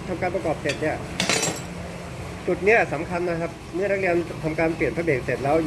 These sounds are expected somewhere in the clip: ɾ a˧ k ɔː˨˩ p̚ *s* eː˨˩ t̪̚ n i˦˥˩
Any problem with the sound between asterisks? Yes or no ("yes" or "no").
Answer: no